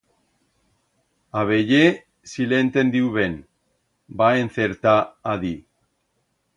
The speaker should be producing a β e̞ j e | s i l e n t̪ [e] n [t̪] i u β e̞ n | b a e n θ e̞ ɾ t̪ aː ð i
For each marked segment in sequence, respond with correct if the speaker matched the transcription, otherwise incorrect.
correct, incorrect: d̪

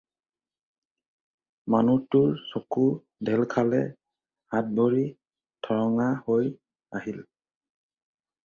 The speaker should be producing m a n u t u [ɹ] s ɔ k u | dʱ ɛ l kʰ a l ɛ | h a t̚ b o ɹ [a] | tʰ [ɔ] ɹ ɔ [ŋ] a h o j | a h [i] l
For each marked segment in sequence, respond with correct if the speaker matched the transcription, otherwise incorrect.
correct, incorrect: i, correct, correct, correct

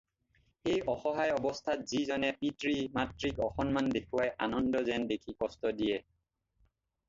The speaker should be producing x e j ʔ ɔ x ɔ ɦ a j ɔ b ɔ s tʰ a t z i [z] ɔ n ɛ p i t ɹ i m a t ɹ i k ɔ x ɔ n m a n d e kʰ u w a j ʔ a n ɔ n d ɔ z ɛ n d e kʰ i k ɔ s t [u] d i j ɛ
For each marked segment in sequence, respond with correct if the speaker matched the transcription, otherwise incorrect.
correct, incorrect: ɔ

